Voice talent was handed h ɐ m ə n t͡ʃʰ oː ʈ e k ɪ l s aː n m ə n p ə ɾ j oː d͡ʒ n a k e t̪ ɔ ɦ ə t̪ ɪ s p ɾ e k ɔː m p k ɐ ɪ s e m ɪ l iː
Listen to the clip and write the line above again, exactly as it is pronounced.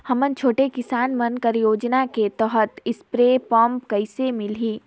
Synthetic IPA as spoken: h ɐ m ə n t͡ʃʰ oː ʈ e k ɪ s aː n m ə n k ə ɾ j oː d͡ʒ n a k e t̪ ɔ ɦ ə t̪ ɪ s p ɾ e p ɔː m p k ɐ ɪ s e m ɪ l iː